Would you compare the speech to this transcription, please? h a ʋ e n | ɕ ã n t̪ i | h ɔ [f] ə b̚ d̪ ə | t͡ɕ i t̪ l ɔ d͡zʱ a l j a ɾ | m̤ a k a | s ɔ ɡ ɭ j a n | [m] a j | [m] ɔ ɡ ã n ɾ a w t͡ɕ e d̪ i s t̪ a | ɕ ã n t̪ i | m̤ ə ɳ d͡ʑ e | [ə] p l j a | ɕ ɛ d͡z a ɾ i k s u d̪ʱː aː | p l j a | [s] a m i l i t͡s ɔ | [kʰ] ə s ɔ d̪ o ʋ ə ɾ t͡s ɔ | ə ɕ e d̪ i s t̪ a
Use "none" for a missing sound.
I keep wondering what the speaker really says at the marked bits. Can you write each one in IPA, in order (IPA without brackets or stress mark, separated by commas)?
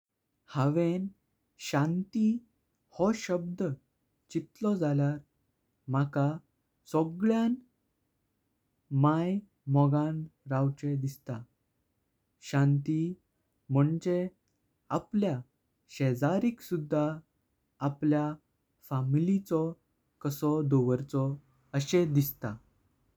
ɕ, m, m, a, f, k